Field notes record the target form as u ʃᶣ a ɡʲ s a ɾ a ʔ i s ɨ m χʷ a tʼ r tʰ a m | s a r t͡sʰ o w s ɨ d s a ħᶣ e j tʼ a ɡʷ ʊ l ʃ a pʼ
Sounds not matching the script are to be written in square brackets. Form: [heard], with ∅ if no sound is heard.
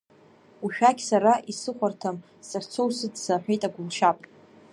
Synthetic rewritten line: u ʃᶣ a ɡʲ s a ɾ a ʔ i s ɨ [∅] χʷ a [∅] r tʰ a m | s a r t͡sʰ o w s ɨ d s a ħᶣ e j tʼ a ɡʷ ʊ l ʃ a pʼ